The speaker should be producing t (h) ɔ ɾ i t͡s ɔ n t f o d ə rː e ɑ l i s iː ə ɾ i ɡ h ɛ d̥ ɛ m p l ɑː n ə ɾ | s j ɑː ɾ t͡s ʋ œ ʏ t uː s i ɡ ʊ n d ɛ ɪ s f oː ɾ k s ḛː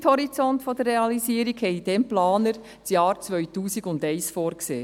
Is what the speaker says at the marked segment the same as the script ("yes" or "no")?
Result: yes